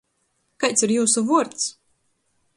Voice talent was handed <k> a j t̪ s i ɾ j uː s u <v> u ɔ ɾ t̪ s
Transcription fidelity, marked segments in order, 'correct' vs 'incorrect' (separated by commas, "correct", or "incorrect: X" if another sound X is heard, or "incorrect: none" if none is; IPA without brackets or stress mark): correct, correct